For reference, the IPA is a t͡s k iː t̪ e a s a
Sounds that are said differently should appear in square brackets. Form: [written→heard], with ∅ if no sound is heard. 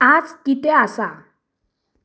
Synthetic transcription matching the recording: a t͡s k [iː→i] t̪ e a s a